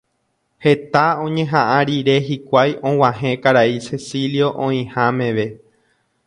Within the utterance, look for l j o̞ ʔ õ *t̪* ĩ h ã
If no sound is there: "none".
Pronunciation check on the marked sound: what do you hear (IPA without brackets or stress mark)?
none